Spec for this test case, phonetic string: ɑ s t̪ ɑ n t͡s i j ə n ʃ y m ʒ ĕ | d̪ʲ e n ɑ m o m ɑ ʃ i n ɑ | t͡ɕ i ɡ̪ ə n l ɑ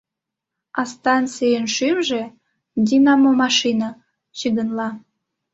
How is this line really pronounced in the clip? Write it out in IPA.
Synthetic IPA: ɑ s t̪ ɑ n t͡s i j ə n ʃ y m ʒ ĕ | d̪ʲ i n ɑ m o m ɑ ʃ i n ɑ | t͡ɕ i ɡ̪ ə n l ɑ